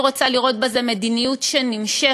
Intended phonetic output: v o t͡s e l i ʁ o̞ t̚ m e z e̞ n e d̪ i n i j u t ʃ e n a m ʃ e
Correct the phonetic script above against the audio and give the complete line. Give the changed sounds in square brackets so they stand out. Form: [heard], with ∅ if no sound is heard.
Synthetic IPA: [ʁ] o t͡s [a] l i ʁ o̞ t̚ [b] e z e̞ [m] e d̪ i n i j u t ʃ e n [i] m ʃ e